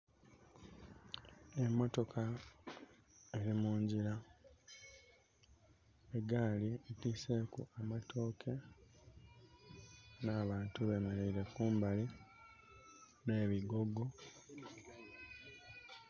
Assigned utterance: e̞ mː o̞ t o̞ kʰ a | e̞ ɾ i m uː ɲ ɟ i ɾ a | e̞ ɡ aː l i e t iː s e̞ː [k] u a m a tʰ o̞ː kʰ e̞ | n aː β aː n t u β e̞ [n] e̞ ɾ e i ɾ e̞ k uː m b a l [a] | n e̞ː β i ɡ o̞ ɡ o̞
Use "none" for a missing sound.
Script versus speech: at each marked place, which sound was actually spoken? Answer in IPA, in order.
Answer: k, m, i

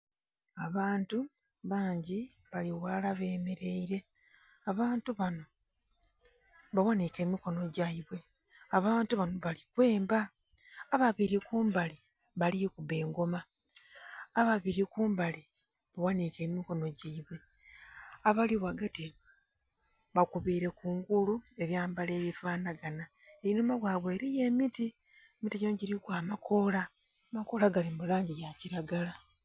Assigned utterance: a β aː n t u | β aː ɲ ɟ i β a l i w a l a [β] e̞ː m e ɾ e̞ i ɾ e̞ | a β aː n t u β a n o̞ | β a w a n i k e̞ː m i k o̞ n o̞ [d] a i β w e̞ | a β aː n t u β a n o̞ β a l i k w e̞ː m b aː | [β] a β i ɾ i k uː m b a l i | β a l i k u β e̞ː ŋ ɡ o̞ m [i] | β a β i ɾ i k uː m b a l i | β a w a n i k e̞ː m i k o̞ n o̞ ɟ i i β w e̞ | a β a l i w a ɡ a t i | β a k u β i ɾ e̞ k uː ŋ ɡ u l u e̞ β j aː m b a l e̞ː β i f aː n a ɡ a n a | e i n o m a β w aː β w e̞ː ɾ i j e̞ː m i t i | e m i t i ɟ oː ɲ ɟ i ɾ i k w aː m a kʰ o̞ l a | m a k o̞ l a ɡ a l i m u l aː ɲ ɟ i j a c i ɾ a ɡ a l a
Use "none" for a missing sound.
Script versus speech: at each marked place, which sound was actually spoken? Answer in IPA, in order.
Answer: β, ɟ, β, a

